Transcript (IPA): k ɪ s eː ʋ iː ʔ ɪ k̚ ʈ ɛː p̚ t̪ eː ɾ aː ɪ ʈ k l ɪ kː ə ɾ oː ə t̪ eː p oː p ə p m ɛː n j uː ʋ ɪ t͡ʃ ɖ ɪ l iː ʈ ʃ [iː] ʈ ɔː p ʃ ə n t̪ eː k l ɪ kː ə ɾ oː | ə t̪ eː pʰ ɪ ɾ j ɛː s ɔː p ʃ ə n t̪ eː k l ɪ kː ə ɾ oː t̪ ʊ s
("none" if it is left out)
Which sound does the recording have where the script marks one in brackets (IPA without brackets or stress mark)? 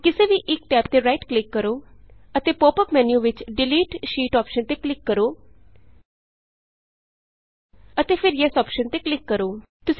iː